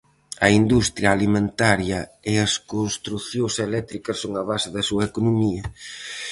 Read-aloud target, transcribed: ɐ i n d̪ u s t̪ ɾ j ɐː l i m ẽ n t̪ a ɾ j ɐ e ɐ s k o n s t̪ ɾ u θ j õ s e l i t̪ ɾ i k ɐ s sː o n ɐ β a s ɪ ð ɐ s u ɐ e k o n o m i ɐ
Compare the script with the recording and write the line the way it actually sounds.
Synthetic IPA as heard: ɐ i n d̪ u s t̪ ɾ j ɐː l i m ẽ n t̪ a ɾ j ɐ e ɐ s k o n s t̪ ɾ u θ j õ s e l ɛ t̪ ɾ i k ɐ s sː o ŋ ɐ β a s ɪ ð ɐ s u ɐ e k o n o m i ɐ